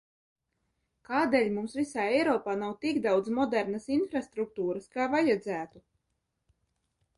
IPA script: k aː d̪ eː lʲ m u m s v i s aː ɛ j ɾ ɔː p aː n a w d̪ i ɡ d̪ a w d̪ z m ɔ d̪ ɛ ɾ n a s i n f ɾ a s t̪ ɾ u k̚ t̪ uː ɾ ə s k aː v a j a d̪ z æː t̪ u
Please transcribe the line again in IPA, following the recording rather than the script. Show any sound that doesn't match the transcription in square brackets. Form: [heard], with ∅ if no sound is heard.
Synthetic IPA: k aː d̪ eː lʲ m u m s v i s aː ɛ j ɾ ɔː p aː n a w [t̪] i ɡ d̪ a w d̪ z m ɔ d̪ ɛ ɾ n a s i n f ɾ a s t̪ ɾ u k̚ t̪ uː ɾ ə s k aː v a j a d̪ z æː t̪ u